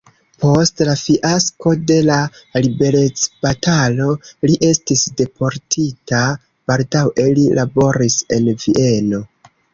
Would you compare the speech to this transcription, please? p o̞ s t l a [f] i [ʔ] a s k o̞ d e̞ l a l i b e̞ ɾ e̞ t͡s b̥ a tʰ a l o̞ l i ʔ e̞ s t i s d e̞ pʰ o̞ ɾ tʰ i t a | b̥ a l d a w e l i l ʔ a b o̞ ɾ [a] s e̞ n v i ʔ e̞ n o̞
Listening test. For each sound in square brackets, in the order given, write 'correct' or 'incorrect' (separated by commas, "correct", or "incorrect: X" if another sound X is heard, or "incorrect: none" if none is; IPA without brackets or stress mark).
correct, correct, incorrect: i